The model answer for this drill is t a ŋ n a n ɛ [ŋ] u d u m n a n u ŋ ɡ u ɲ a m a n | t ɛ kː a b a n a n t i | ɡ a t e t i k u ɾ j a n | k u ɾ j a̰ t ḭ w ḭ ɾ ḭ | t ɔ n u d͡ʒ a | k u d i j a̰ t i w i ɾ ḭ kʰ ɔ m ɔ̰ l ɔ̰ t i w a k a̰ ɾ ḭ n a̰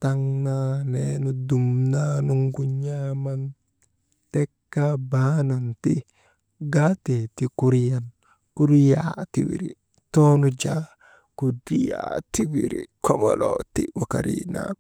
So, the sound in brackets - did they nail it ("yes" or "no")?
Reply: no